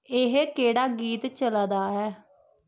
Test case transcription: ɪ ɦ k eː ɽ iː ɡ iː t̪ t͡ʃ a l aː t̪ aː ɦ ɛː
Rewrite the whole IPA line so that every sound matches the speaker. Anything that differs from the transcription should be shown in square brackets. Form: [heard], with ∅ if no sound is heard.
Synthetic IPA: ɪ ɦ k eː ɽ [aː] ɡ iː t̪ t͡ʃ [ə] l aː [d̪] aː ɦ ɛː

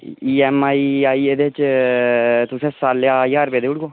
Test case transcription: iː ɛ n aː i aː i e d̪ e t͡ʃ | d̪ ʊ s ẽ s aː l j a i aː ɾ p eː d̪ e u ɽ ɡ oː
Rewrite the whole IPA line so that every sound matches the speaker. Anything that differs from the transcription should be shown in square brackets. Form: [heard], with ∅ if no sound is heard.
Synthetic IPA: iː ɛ [m] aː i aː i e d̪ e t͡ʃ | [t̪] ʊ s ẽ s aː l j a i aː ɾ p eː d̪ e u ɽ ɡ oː

